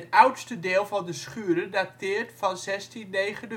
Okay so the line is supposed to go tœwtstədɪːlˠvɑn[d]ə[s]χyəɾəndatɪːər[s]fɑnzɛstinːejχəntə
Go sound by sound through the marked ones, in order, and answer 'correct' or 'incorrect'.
correct, correct, incorrect: t

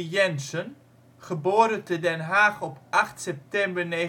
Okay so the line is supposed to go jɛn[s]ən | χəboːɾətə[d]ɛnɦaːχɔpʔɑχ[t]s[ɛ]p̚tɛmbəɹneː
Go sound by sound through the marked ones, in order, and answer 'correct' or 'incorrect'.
correct, correct, correct, correct

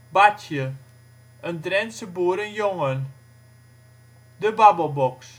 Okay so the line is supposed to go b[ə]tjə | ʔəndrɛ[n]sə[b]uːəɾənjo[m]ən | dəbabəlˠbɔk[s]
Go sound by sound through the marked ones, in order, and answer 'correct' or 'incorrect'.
incorrect: a, correct, correct, incorrect: ŋ, correct

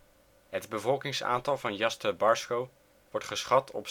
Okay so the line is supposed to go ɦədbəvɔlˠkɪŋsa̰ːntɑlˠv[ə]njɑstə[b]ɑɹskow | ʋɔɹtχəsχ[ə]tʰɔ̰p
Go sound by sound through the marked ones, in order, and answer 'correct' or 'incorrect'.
incorrect: ɑ, correct, incorrect: ɑ

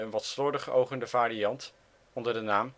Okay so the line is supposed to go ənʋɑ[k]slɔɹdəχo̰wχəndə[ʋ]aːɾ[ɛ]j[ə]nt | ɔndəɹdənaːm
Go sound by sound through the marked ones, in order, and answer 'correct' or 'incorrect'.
incorrect: t, incorrect: v, incorrect: i, incorrect: ɑ

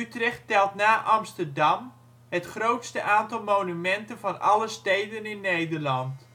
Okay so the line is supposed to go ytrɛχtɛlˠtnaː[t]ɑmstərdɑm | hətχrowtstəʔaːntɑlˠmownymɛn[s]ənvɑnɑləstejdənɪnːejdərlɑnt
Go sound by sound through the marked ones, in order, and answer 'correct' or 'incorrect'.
incorrect: ʔ, incorrect: t

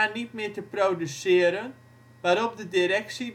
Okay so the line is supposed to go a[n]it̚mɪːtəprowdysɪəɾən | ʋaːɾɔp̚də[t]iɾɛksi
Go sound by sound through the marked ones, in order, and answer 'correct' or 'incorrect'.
correct, incorrect: d

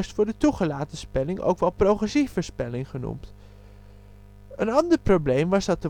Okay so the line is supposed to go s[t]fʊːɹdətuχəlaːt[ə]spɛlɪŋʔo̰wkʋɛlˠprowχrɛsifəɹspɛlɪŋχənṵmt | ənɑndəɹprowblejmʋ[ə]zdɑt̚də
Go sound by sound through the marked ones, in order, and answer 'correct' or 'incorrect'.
correct, correct, incorrect: ɑ

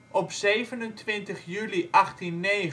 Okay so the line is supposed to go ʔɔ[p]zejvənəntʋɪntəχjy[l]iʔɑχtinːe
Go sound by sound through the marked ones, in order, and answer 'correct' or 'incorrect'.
correct, correct

